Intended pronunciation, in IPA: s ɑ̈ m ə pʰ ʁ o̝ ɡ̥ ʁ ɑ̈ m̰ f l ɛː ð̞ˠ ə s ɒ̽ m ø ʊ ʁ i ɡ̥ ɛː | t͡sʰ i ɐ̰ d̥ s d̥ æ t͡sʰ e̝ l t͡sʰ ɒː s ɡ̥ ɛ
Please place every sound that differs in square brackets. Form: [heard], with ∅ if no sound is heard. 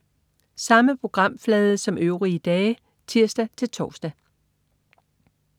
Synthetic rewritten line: s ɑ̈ m ə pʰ ʁ o̝ ɡ̥ ʁ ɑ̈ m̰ f l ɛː ð̞ˠ ə s ɒ̽ m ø ʊ ʁ i [d̥] ɛː | t͡sʰ i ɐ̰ [∅] s d̥ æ t͡sʰ e̝ l t͡sʰ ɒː s [d̥] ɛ